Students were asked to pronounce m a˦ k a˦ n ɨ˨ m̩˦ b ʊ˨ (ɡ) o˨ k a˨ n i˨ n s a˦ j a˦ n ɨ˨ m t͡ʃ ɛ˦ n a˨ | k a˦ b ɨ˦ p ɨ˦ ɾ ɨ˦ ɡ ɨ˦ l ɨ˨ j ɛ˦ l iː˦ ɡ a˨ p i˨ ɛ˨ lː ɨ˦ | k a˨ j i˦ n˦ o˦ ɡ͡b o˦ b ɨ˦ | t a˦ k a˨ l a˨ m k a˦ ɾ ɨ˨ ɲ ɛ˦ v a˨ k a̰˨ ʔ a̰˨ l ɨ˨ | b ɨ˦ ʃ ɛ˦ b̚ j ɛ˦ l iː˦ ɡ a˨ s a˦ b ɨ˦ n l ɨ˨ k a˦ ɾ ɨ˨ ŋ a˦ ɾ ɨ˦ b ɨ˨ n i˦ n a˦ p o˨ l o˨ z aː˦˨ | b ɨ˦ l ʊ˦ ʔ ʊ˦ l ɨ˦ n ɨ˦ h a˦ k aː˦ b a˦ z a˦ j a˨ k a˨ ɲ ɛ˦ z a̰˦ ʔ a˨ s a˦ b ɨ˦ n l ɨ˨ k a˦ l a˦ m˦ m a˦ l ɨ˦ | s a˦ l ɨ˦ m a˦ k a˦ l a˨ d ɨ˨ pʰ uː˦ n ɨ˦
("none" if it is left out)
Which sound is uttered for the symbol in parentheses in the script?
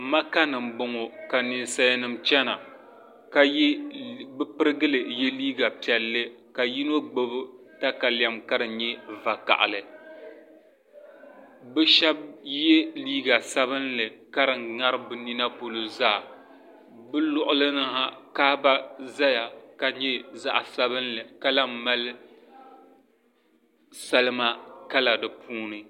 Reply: ŋ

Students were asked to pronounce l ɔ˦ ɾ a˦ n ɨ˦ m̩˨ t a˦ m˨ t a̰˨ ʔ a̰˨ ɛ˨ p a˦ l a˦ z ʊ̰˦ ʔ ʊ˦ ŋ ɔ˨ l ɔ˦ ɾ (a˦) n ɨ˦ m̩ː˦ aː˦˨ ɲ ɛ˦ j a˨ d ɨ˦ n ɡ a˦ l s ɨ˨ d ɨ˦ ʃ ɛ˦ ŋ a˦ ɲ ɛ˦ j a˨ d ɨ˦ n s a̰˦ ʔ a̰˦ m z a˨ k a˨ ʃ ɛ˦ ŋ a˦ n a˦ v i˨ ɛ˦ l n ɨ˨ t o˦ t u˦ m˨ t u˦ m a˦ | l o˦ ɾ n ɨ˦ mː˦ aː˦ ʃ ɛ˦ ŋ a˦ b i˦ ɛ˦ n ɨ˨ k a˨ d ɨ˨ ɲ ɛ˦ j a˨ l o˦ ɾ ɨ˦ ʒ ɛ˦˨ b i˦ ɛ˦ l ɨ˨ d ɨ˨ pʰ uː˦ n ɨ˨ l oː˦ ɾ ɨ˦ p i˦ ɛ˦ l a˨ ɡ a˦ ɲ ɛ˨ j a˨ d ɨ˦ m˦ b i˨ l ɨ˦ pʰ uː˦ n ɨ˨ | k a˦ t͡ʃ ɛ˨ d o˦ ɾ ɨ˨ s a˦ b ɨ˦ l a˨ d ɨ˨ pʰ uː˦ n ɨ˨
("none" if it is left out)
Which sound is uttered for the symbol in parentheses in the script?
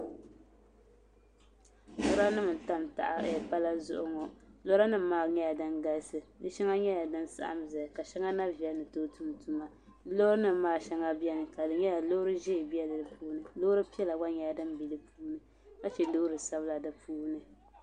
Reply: a˦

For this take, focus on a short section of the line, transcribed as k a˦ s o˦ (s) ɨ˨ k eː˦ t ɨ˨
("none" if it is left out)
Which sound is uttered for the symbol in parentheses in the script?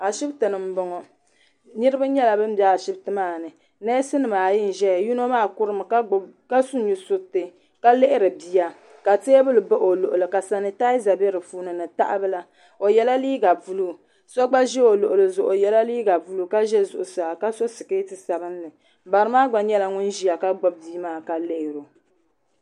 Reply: s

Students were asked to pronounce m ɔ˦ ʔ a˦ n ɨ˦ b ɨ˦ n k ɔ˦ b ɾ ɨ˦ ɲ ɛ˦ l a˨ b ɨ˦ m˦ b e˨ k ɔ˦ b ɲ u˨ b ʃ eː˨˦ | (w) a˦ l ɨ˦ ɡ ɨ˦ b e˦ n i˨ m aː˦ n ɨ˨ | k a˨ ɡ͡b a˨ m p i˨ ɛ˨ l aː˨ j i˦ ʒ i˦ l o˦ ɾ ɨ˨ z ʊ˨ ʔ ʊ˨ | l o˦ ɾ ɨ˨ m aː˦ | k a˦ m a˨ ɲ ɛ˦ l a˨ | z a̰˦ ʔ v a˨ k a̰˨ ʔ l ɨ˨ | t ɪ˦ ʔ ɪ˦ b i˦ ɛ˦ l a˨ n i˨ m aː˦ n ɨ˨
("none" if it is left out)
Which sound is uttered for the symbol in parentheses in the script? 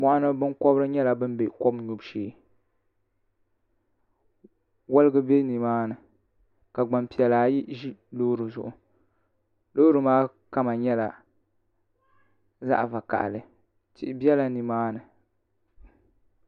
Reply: w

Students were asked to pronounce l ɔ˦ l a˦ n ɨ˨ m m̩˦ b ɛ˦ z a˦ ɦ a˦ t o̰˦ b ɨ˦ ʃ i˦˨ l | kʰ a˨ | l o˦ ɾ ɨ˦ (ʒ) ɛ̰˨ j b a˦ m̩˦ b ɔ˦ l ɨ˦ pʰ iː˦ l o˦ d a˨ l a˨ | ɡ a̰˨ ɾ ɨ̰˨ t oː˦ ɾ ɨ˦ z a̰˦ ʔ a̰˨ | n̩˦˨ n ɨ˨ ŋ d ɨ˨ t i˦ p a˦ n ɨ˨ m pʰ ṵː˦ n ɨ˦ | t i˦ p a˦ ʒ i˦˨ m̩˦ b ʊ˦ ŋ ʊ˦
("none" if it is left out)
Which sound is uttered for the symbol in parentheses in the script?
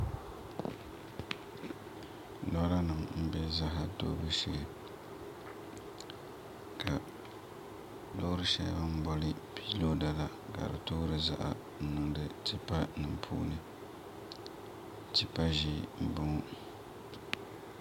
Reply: ʃ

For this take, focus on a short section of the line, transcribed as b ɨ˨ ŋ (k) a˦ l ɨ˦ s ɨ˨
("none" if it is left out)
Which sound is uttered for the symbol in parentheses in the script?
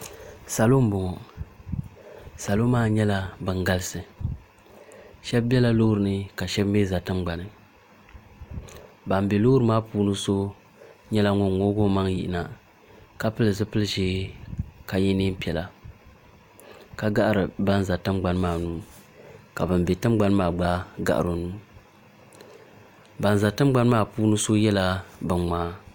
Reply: ɡ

